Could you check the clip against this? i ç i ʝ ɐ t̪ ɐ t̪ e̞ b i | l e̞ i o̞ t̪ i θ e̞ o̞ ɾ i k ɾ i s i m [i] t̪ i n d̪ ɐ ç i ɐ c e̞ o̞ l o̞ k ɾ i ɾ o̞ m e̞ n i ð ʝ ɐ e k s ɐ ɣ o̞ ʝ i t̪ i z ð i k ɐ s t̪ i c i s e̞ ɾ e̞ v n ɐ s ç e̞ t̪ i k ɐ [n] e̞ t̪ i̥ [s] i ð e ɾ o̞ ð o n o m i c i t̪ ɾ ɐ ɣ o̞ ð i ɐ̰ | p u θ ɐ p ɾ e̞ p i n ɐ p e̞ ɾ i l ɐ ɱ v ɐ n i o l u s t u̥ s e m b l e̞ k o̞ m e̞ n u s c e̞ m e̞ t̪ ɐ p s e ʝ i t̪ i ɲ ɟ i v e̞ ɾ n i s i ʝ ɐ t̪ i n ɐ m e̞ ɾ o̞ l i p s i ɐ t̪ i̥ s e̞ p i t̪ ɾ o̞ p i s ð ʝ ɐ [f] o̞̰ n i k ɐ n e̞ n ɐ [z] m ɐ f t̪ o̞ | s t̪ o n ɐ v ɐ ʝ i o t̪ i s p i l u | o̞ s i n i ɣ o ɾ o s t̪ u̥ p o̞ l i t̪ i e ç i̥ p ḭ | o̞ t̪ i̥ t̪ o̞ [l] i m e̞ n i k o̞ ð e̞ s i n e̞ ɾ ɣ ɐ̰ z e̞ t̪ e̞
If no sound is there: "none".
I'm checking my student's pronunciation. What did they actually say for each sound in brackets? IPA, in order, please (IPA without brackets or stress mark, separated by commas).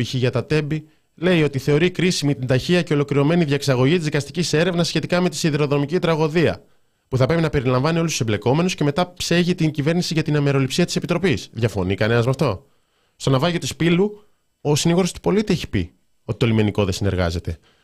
i, m, s, f, z, l